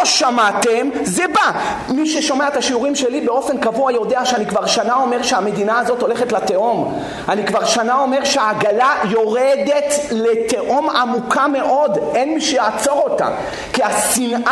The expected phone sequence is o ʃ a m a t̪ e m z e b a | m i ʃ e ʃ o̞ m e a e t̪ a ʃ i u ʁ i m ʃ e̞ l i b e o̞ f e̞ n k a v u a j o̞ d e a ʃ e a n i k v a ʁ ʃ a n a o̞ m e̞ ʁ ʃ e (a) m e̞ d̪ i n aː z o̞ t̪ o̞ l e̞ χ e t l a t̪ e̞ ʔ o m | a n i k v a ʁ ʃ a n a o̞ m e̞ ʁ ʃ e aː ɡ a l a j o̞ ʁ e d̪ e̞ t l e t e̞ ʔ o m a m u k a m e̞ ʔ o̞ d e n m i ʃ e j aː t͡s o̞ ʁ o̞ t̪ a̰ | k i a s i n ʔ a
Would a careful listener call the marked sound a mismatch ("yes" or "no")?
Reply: no